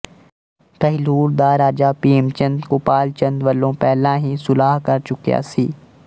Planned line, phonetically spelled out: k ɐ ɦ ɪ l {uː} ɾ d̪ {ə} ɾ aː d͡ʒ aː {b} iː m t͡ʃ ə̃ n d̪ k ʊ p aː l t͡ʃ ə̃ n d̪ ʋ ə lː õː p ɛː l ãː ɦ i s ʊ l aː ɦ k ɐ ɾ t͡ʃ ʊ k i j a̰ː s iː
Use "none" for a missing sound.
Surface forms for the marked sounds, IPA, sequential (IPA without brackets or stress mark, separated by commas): uː, a, p